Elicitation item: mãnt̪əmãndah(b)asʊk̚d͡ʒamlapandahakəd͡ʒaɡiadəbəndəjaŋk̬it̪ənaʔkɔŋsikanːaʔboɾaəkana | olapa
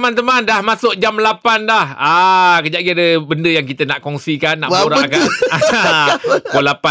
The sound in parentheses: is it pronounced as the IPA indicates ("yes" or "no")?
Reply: no